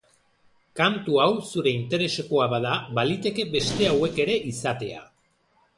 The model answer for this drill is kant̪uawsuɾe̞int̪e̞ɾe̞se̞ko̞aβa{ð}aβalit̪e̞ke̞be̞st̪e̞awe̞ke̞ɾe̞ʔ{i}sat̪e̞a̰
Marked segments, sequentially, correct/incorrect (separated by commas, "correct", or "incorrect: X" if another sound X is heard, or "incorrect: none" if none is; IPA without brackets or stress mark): correct, correct